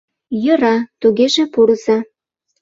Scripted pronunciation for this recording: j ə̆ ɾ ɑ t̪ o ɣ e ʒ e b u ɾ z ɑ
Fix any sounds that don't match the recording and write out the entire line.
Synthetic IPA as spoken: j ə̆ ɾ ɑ t̪ u ɣ e ʒ e p u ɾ z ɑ